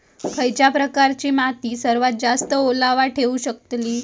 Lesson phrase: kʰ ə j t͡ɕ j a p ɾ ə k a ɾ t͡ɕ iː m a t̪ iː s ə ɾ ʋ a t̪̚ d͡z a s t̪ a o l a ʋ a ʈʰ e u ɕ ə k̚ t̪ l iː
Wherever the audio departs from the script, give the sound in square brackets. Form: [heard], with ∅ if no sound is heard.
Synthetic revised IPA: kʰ ə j t͡ɕ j a p ɾ ə k a ɾ t͡ɕ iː m a t̪ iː s ə ɾ ʋ a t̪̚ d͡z a s t̪ [ə] o l a ʋ a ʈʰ e u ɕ ə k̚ t̪ l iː